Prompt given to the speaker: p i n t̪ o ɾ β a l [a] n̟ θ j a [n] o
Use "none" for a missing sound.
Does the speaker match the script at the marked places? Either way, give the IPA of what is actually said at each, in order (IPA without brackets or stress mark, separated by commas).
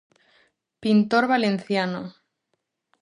e, n